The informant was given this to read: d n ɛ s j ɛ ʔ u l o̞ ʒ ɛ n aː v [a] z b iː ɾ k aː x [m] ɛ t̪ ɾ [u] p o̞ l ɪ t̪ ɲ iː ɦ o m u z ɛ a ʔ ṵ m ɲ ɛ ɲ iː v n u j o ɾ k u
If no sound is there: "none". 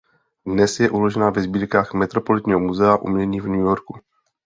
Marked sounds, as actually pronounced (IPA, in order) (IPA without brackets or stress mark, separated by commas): ɛ, m, o